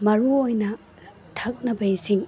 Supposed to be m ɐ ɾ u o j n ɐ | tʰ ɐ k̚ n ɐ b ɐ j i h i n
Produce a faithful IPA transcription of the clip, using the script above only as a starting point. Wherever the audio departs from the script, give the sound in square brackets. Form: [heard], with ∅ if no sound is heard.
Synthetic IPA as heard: m ɐ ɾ u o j n ɐ | tʰ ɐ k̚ n ɐ b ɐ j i [s] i [ŋ]